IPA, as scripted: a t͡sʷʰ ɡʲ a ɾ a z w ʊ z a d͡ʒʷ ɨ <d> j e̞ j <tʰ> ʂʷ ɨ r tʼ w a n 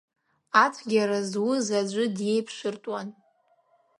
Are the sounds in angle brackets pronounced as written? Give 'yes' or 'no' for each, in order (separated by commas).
yes, no